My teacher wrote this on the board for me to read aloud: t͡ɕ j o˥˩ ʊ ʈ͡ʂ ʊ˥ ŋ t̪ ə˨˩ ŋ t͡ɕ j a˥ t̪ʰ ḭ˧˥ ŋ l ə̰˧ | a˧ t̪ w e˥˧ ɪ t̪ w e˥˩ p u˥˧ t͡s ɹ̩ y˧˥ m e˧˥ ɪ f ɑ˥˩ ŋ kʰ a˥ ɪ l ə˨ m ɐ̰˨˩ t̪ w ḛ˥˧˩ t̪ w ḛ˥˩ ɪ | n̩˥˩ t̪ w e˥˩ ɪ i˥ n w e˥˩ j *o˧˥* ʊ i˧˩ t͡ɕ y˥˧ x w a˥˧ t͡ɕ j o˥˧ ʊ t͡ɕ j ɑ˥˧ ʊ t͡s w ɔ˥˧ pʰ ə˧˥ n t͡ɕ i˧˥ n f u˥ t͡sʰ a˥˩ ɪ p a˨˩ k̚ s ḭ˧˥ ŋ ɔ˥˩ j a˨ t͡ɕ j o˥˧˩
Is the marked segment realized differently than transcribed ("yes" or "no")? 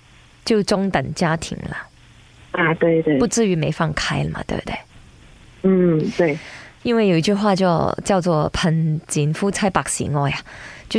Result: yes